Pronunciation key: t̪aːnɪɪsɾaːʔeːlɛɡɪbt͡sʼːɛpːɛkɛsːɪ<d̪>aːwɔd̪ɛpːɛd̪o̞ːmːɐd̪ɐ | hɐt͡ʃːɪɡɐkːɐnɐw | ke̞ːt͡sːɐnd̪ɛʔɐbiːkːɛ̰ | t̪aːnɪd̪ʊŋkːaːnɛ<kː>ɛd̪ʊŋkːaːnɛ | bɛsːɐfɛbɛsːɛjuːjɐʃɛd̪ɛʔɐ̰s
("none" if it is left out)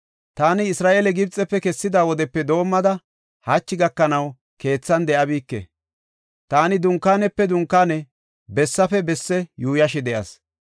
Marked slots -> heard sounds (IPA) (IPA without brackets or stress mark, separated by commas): d̪, pː